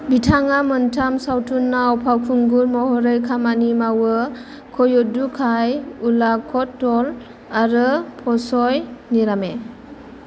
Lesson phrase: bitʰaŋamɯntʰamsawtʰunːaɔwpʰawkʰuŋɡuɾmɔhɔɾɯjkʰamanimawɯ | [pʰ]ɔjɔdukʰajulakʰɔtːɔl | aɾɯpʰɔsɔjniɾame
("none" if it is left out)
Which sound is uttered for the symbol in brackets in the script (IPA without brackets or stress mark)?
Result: kʰ